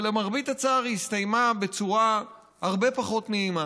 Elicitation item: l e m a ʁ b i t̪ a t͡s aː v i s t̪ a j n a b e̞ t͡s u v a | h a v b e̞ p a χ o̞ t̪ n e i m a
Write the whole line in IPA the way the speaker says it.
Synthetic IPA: l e m a ʁ b i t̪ a t͡s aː ʁ i s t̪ a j m a b e̞ t͡s u ʁ a | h a ʁ b e̞ p a χ o̞ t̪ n e i m a